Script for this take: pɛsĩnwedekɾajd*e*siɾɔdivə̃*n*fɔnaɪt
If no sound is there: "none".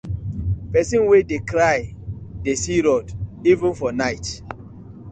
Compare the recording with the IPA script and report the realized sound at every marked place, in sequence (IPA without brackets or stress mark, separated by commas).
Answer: e, n